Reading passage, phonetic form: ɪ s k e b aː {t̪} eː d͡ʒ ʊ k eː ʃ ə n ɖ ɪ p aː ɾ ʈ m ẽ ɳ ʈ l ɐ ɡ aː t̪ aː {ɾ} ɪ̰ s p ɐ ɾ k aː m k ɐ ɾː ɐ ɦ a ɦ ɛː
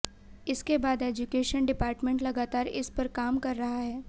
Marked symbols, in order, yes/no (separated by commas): no, yes